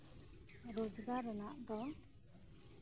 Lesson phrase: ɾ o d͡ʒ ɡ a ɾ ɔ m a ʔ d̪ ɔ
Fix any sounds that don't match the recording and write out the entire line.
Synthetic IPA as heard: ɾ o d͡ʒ ɡ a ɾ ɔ n a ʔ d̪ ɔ